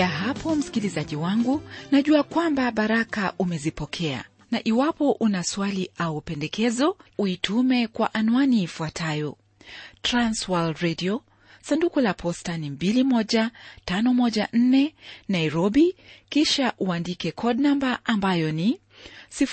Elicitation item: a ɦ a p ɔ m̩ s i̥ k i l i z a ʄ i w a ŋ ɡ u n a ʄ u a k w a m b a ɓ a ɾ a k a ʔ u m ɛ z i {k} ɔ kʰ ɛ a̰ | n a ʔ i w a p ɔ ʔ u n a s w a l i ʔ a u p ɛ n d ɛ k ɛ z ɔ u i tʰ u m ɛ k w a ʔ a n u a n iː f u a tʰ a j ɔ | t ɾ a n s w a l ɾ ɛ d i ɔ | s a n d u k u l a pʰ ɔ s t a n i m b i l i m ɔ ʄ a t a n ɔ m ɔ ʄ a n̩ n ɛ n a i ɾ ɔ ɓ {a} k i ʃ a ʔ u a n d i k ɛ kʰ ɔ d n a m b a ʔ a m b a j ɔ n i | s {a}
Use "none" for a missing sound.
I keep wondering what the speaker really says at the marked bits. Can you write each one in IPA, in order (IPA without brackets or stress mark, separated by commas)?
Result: p, i, i